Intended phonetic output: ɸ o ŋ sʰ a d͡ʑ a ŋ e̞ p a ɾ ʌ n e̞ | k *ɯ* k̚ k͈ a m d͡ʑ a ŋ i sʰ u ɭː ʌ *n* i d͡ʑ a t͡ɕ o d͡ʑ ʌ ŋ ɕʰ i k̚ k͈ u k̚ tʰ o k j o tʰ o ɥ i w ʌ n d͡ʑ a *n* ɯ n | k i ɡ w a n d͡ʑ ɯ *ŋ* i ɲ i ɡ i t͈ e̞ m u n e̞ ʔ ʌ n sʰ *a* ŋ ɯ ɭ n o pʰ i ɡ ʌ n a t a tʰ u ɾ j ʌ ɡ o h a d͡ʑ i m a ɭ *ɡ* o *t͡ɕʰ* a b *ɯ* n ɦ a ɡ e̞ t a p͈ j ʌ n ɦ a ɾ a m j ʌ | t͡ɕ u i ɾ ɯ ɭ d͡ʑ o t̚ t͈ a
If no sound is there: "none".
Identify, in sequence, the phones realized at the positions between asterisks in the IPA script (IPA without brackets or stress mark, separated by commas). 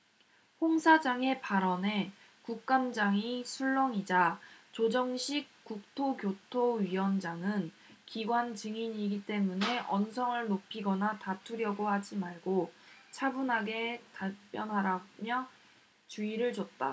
u, ŋ, ŋ, ŋ, ʌ, ɡ, t͡ɕʰ, u